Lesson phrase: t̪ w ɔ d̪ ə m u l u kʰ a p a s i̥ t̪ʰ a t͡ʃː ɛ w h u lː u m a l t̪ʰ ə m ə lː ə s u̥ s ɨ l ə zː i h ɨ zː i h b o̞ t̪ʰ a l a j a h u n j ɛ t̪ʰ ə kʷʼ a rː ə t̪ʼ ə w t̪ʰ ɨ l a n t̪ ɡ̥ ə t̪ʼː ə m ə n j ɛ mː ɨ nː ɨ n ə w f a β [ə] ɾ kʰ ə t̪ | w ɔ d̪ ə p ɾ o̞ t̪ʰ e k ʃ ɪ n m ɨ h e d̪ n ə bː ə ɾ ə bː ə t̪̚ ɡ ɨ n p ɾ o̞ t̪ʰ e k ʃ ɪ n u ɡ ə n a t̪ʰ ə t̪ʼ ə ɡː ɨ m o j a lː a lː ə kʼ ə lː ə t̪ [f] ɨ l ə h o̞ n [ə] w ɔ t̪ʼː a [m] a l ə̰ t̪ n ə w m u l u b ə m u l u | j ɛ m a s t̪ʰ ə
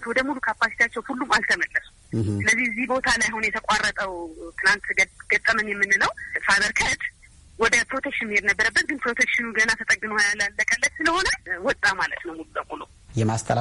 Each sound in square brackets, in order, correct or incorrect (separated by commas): correct, incorrect, correct, correct